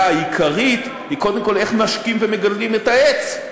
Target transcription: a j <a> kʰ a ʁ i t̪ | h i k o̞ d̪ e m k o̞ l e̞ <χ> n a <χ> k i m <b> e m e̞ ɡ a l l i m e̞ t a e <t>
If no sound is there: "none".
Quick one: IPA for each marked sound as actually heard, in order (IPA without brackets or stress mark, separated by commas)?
i, χ, ʃ, v, t͡s